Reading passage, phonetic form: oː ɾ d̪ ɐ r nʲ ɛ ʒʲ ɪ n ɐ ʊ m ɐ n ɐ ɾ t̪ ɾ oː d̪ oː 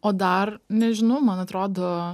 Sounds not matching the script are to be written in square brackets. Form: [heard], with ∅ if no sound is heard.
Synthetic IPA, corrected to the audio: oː [∅] d̪ ɐ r nʲ ɛ ʒʲ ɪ n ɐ ʊ m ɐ n ɐ [∅] t̪ ɾ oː d̪ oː